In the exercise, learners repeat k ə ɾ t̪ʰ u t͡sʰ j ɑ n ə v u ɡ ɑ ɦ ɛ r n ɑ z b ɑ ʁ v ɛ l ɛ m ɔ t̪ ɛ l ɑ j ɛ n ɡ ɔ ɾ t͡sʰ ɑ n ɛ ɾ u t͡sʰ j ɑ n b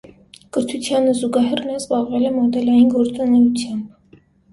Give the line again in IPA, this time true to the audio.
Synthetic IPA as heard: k ə ɾ t̪ʰ u t͡sʰ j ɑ n ə z u ɡ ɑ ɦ ɛ r n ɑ z b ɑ ʁ v ɛ l ɛ m ɔ d̪ ɛ l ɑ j i n ɡ ɔ ɾ t͡s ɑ n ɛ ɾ u t͡sʰ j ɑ m b